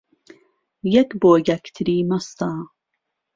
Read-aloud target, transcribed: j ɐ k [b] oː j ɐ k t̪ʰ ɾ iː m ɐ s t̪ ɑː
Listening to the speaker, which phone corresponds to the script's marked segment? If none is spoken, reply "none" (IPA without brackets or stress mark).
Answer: b